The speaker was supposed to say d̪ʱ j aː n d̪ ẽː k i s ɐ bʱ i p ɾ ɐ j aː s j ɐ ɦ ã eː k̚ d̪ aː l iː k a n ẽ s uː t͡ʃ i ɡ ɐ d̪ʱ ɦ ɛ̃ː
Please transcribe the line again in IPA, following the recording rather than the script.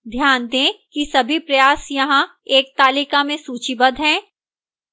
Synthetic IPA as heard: d̪ʱ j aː n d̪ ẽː k i s ɐ bʱ i p ɾ ɐ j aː s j ɐ ɦ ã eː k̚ t̪ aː l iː k a m ẽ s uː t͡ʃ i b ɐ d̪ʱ ɦ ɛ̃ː